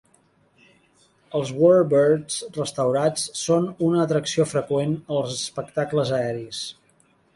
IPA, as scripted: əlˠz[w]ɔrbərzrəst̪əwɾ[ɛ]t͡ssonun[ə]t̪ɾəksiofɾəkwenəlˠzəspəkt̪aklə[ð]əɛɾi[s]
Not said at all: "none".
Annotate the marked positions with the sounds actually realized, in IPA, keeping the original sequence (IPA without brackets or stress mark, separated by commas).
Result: w, a, əː, z, s